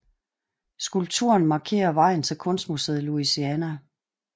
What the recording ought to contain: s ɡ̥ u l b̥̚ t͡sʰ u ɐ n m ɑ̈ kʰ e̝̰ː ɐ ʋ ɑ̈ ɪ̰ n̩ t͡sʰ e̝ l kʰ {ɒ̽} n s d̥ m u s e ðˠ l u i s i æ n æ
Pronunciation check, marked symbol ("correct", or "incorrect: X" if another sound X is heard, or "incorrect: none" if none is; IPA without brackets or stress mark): incorrect: ɔ̽